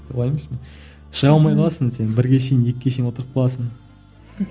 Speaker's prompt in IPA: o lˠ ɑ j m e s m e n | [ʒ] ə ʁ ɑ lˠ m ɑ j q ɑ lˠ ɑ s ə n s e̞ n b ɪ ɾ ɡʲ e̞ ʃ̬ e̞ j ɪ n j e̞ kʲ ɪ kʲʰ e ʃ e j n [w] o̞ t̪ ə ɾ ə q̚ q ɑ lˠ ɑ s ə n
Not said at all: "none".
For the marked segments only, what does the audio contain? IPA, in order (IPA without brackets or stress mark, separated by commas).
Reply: ʃ, w